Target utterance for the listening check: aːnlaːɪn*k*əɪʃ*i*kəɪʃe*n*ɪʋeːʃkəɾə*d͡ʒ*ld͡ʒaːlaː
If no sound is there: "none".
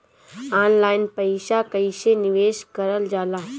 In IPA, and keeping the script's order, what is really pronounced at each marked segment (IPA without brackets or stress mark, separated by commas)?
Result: p, a, n, none